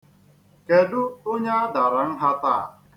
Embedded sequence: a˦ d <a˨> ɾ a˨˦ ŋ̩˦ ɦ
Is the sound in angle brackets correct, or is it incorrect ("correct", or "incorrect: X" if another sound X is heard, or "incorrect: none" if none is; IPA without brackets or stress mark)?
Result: correct